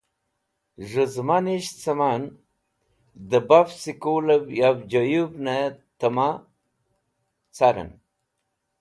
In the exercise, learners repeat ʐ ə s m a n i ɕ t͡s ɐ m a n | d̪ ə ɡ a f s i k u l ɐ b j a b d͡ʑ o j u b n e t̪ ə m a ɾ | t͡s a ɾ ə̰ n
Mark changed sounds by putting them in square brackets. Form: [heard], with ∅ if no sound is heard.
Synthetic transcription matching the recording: ʐ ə [z] m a n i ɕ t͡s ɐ m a n | d̪ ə [b] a f s i k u l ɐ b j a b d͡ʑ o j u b n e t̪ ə m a [∅] | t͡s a ɾ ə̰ n